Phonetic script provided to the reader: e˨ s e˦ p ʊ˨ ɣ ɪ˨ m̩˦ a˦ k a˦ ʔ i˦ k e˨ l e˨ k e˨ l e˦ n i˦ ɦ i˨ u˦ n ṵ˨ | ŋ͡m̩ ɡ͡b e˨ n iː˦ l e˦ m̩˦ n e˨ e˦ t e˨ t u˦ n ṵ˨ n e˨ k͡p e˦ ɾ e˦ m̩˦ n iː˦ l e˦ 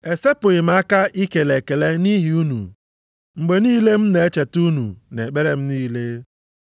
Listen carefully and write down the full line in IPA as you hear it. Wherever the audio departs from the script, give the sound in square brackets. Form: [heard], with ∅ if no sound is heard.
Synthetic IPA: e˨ s e˦ p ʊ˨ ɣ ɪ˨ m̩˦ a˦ k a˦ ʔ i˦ k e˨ l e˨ k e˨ l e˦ n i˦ ɦ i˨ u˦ n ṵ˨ | ŋ͡m̩ ɡ͡b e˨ n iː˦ l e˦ m̩˦ n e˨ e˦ [t͡ʃ] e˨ t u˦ n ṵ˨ n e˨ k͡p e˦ ɾ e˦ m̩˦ n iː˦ l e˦